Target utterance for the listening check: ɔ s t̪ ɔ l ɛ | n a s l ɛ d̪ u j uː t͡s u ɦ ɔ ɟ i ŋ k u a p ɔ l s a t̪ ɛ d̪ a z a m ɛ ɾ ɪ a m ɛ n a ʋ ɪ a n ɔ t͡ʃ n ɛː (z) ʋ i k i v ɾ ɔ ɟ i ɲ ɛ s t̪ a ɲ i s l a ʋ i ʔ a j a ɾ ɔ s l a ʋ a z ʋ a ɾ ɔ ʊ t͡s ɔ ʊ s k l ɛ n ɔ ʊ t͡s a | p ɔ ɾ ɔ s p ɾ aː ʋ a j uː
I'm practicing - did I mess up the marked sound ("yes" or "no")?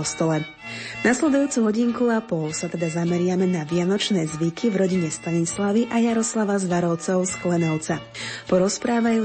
no